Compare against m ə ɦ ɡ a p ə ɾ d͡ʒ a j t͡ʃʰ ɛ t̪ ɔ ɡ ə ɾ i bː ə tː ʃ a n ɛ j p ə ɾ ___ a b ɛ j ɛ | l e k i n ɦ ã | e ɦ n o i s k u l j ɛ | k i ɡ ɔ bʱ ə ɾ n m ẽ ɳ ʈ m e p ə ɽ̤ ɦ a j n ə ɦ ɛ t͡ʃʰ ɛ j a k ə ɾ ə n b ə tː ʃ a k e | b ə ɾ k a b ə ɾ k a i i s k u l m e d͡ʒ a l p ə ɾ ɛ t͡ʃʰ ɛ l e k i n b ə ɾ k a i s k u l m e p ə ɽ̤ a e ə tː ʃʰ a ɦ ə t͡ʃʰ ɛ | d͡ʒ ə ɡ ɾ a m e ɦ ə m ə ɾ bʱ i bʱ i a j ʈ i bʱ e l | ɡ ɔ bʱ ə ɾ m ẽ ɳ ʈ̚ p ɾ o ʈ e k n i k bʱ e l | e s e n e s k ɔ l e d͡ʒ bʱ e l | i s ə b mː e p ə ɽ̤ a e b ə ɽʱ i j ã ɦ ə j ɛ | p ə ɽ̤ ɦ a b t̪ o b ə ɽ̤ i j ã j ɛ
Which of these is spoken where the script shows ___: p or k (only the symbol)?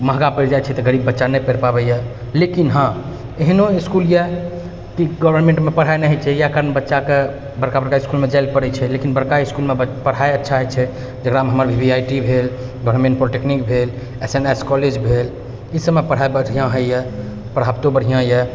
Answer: p